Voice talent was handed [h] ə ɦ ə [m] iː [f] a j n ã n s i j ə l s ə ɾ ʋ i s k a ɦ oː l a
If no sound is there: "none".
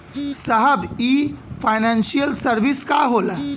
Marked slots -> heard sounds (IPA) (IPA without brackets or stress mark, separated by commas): s, b, f